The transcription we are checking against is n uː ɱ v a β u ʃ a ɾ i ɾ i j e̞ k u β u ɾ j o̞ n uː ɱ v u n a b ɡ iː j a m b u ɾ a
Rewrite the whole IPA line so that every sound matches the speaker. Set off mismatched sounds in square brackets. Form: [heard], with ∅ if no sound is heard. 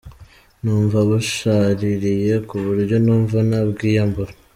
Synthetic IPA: n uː ɱ v a β u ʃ a ɾ i ɾ i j e̞ k u β u ɾ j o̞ n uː ɱ v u n a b ɡ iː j a m b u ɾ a